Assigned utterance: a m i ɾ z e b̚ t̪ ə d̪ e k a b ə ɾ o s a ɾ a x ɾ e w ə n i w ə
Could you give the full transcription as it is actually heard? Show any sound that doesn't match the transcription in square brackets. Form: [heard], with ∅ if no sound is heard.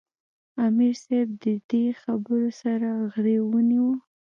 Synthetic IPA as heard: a m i ɾ [s] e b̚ [d̪] ə d̪ e [x] a b ə ɾ o s a ɾ a [ɣ] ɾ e w ə n i w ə